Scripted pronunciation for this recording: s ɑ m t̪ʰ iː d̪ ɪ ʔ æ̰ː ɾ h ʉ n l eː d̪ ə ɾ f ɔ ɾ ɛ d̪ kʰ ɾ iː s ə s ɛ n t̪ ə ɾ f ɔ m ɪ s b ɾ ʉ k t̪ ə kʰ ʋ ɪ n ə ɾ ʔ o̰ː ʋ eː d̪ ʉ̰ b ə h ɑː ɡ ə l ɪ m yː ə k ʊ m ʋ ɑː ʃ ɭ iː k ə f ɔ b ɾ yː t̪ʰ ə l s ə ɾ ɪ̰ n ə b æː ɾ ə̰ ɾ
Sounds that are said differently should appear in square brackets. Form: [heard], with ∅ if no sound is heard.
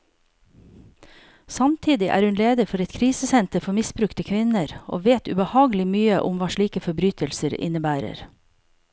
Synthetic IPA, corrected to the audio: s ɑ m t̪ʰ iː d̪ ɪ ʔ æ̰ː ɾ h ʉ n l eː d̪ ə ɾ f ɔ ɾ ɛ [t̪] kʰ ɾ iː s ə s ɛ n t̪ ə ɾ f ɔ m ɪ s b ɾ ʉ k t̪ ə kʰ ʋ ɪ n ə ɾ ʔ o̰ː ʋ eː [t̪] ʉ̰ b ə h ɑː ɡ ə l ɪ m yː ə [ʔ] ʊ m ʋ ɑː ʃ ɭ iː k ə f ɔ b ɾ yː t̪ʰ ə l s ə ɾ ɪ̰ n ə b æː ɾ ə̰ ɾ